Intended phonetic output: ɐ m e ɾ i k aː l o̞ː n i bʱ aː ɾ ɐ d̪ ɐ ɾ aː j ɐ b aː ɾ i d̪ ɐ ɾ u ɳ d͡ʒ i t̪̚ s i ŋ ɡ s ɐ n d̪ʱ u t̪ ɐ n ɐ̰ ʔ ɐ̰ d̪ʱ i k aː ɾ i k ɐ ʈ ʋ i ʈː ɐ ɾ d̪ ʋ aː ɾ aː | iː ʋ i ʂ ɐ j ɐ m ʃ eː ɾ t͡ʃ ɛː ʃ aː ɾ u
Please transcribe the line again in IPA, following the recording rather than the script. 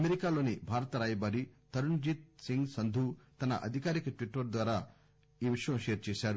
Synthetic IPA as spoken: ɐ m e ɾ i k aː l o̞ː n i bʱ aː ɾ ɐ t̪ ɐ ɾ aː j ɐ b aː ɾ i t̪ ɐ ɾ u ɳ d͡ʒ i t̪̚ s i ŋ ɡ s ɐ n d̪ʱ u t̪ ɐ n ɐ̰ ʔ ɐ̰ d̪ʱ i k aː ɾ i k ɐ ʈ ʋ i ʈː ɐ ɾ d̪ ʋ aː ɾ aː | iː ʋ i ʂ ɐ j ɐ m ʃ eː ɾ t͡ʃ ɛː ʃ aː ɾ u